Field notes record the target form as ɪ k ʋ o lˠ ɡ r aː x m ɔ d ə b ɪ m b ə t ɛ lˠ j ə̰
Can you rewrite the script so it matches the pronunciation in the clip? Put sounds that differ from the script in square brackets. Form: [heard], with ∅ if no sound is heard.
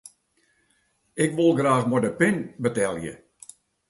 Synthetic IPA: ɪ k ʋ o lˠ ɡ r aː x m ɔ d ə [p] ɪ [n] b ə t ɛ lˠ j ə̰